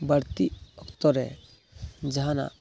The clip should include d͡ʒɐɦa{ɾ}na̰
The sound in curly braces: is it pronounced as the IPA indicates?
no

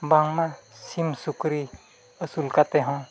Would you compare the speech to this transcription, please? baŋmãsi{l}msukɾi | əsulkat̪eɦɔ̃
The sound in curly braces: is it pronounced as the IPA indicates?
no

